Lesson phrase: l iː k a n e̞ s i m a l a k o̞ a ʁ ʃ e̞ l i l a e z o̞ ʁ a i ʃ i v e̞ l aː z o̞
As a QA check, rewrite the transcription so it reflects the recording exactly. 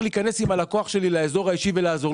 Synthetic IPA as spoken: l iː k a n e̞ s i m a l a k o̞ a χ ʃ e̞ l i l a e z o̞ ʁ a i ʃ i v e̞ l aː z o̞